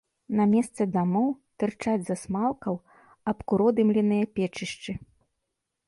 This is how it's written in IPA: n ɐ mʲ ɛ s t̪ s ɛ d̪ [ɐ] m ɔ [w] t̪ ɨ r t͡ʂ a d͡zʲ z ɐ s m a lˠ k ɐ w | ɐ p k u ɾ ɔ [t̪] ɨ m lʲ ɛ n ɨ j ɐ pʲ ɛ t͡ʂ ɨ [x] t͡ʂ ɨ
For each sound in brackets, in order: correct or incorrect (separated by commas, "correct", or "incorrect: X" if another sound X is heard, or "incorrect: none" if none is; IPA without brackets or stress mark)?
incorrect: a, correct, incorrect: d̪, incorrect: ʂ